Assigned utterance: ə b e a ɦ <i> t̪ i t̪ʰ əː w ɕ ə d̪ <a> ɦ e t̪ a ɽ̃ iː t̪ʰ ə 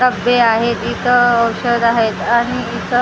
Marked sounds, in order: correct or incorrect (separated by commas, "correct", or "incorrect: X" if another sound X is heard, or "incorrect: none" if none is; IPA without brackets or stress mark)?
incorrect: e, correct